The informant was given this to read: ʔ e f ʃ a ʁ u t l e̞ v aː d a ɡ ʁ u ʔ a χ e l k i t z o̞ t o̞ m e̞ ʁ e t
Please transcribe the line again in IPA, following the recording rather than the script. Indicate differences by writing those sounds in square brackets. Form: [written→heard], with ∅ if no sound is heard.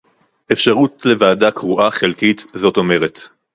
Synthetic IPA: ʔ e f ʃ a ʁ u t l e̞ v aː d a [ɡ→k] ʁ u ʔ a χ e l k i t z o̞ t o̞ m e̞ ʁ e t

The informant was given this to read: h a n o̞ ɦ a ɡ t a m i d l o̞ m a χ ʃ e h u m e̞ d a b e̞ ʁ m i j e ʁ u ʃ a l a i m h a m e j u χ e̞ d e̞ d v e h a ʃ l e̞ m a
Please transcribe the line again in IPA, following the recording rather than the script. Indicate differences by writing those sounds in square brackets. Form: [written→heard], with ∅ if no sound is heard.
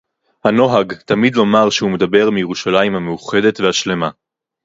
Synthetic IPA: h a n o̞ ɦ a ɡ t a m i d l o̞ m a [χ→ʁ] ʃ e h u m e̞ d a b e̞ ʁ m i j e ʁ u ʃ a l a i m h a m e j u χ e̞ d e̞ [d→t] v e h a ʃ l e̞ m a

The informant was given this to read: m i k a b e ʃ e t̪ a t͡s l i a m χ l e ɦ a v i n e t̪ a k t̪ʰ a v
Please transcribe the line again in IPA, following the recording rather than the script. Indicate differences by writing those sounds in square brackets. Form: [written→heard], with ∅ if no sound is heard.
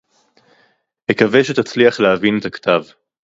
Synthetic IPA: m [i→e] k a [b→v] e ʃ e t̪ a t͡s l i a [m→∅] χ l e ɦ a v i n e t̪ a k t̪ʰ a v

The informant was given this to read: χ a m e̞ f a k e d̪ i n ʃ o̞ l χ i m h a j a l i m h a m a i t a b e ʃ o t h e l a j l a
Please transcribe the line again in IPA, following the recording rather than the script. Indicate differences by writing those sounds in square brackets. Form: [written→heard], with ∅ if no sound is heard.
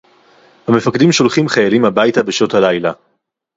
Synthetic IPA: [χ→h] a m e̞ f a k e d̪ i [n→m] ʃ o̞ l χ i m [h→χ] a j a l i m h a [m→b] a [i→j] t a b e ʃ o t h [e→a] l a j l a

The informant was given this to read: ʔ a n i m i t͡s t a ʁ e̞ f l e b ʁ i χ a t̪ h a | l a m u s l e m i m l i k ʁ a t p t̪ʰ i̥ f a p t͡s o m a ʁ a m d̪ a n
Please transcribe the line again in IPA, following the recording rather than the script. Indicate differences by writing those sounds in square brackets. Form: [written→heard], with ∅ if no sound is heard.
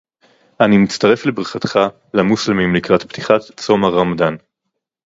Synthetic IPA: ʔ a n i m i t͡s t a ʁ e̞ f l e b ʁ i χ a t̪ [h→χ] a | l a m u s l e m i m l i k ʁ a t p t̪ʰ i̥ [f→χ] a [p→t] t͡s o m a ʁ a m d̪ a n

